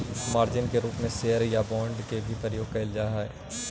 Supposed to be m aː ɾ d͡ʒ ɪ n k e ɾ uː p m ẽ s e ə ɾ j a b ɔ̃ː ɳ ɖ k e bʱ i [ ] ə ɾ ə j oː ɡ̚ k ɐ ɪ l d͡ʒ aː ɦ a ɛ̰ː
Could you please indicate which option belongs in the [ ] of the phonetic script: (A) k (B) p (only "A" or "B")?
B